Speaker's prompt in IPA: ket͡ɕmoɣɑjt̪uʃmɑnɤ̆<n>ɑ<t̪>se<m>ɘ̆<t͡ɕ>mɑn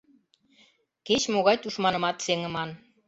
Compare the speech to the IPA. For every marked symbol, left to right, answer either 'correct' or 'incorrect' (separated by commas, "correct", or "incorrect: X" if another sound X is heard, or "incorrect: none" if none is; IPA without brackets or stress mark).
incorrect: m, correct, incorrect: ŋ, incorrect: none